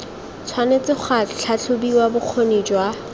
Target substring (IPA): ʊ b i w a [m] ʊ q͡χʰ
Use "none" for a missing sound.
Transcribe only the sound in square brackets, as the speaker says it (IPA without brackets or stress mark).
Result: b